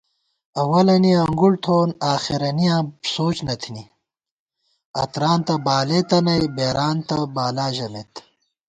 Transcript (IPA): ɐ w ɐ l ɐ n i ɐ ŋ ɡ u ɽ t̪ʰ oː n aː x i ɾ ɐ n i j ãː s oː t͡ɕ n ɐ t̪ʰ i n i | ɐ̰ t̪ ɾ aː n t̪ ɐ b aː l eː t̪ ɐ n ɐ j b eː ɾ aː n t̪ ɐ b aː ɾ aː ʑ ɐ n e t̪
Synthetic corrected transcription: ɐ w ɐ l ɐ n i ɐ ŋ ɡ u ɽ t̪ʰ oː n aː x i ɾ ɐ n i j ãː s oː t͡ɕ n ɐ t̪ʰ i n i | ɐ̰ t̪ ɾ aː n t̪ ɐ b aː l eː t̪ ɐ n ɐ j b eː ɾ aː n t̪ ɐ b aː l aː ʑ ɐ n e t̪